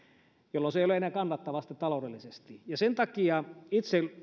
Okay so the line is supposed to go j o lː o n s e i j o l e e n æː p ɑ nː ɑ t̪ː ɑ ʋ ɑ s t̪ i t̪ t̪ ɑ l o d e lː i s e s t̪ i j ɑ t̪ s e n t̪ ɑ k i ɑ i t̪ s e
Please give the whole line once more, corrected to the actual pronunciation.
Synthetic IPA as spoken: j o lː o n s e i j o l e e n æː k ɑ nː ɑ t̪ː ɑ ʋ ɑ s t̪ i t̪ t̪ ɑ l o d e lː i s e s t̪ i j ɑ s e n t̪ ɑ k i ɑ i t̪ s e